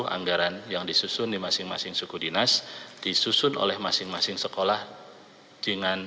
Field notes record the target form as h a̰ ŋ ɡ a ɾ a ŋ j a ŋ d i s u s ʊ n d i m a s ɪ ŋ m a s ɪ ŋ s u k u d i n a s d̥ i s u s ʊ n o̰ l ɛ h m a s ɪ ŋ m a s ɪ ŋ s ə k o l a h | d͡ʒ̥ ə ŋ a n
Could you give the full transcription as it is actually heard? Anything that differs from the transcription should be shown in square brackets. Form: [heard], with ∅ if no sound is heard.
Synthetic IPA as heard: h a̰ ŋ ɡ a ɾ a [n] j a ŋ d i s u s ʊ n d i m a s ɪ ŋ m a s ɪ ŋ s u k u d i n a s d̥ i s u s ʊ n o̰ l ɛ h m a s ɪ ŋ m a s ɪ ŋ s ə k o l a h | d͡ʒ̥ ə ŋ a n